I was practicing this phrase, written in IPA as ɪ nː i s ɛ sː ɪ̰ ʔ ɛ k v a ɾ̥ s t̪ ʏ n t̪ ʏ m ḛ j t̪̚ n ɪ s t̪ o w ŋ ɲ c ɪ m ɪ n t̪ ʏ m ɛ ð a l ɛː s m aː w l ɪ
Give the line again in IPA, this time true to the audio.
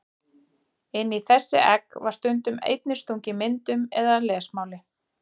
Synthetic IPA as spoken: ɪ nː i θ ɛ sː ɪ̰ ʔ ɛ k v a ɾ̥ s t̪ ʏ n t̪ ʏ m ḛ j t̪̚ n ɪ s t̪ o w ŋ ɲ c ɪ m ɪ n t̪ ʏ m ɛ ð a l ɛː s m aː w l ɪ